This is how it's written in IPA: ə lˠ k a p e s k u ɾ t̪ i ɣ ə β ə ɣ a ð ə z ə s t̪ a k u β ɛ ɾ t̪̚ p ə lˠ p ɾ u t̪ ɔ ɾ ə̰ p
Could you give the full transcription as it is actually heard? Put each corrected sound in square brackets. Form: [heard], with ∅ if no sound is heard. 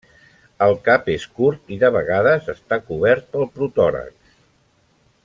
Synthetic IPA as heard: ə lˠ k a p e s k u ɾ t̪ i [ð] ə β ə ɣ a ð ə z ə s t̪ a k u β ɛ ɾ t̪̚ p ə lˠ p ɾ u t̪ ɔ ɾ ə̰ [k]